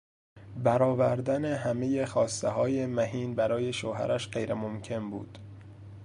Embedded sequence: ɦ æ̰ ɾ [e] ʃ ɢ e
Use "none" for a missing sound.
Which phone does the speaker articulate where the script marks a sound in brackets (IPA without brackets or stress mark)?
æ